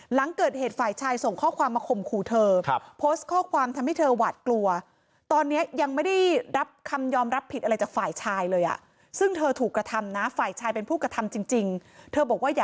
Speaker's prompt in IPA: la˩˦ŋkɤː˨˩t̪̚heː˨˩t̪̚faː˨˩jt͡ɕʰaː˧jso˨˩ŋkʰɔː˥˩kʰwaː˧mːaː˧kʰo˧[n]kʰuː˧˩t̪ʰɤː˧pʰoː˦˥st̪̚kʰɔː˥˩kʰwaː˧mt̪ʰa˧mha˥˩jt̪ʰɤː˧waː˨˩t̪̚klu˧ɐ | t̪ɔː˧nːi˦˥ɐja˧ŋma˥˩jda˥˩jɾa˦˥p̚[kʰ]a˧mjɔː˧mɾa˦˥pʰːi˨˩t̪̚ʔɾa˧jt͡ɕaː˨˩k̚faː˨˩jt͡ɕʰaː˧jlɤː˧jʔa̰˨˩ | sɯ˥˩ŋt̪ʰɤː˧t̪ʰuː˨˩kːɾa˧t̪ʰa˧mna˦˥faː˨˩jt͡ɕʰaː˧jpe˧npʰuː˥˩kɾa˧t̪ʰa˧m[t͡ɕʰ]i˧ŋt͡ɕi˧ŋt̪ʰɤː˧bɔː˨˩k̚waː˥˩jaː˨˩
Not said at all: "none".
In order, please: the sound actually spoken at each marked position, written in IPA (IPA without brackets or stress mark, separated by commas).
m, kʰ, t͡ɕ